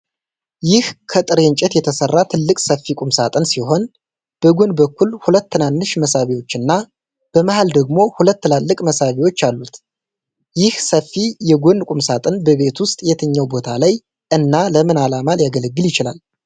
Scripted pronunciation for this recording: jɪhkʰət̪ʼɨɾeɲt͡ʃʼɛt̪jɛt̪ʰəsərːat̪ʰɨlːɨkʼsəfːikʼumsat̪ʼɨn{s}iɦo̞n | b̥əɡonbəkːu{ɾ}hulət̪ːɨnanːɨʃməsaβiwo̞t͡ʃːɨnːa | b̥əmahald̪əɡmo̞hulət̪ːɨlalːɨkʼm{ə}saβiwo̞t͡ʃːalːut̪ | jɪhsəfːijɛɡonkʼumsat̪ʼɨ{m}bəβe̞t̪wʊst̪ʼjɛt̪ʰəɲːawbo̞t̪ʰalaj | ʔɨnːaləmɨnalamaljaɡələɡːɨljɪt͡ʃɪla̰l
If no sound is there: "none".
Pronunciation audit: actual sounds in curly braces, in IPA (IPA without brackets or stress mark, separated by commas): s, l, ə, n